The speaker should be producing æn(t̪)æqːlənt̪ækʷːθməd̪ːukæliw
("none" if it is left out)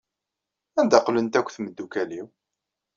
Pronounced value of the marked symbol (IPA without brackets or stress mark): d̪